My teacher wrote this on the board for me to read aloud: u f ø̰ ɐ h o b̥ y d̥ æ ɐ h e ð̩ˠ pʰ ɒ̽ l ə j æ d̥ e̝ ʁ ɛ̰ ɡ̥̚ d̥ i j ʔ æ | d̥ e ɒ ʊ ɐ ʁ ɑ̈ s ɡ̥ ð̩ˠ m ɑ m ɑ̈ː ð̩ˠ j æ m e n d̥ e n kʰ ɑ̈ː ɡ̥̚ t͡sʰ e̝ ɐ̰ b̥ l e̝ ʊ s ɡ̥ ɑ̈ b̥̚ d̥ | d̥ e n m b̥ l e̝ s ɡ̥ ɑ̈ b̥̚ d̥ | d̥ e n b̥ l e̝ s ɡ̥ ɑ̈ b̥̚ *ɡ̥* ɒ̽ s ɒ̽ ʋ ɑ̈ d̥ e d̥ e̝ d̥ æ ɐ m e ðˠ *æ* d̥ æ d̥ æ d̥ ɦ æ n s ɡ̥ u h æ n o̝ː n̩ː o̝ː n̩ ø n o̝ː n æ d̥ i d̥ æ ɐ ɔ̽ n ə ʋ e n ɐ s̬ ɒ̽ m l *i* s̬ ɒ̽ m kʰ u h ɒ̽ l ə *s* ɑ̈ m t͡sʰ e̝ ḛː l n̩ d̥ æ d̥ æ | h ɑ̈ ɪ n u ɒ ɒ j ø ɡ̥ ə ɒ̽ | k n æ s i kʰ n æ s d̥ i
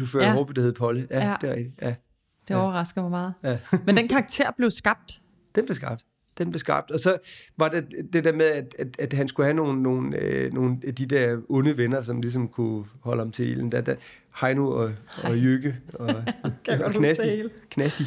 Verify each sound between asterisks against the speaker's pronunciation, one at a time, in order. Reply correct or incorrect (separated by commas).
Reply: incorrect, correct, correct, incorrect